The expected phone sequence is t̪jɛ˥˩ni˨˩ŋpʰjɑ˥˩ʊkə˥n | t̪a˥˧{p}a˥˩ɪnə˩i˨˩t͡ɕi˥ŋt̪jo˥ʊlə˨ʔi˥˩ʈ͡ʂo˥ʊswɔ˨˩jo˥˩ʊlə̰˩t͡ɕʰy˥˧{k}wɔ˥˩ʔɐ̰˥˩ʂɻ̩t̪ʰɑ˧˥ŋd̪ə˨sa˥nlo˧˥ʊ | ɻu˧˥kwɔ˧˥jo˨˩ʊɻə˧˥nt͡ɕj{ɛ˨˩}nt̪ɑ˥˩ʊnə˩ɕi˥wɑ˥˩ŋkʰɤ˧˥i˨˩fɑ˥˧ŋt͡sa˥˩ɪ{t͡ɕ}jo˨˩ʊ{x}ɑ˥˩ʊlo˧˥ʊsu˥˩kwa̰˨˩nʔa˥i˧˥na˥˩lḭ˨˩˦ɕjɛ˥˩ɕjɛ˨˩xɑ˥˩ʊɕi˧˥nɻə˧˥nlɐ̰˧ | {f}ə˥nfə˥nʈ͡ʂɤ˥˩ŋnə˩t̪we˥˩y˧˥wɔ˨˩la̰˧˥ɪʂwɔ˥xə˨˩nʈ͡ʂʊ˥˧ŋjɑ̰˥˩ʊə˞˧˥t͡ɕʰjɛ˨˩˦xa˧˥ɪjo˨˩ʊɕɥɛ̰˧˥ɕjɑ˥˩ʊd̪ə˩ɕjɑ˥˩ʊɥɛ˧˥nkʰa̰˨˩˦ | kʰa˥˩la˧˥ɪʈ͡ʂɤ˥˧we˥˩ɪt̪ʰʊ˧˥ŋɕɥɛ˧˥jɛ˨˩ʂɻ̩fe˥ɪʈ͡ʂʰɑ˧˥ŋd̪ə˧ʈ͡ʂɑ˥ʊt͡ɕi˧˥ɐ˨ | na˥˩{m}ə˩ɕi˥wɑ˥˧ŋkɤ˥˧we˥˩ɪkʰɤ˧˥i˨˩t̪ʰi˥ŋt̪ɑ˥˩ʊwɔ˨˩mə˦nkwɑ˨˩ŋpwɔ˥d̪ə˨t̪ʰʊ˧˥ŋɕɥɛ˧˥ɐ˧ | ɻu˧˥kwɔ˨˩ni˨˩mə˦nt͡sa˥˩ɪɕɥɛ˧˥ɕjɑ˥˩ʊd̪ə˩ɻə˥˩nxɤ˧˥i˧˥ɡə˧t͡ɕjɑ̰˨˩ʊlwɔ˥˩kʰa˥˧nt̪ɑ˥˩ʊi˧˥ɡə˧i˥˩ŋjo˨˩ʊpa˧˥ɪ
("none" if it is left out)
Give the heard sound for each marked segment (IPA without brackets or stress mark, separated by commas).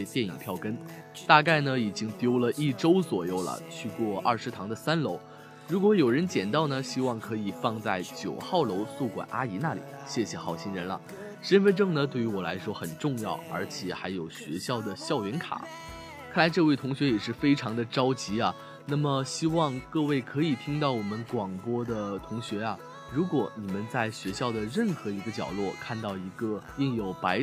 k, k, ɛ˨˩, t͡ɕ, x, ʂ, m